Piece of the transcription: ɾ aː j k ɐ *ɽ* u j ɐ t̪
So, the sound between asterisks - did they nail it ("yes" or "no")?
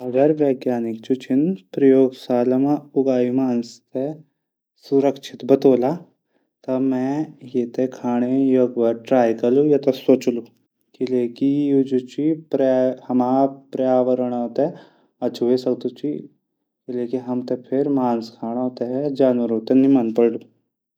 no